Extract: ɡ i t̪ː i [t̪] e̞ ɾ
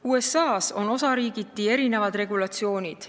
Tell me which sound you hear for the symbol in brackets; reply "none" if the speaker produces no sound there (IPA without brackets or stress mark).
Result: none